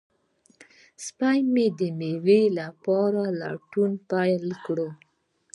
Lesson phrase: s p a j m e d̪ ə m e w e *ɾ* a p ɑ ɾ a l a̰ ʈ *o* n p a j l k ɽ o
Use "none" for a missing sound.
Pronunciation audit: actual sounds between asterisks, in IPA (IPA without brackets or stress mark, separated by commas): l, u